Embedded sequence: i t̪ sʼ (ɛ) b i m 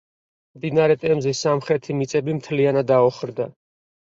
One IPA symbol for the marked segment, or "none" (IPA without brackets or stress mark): ɛ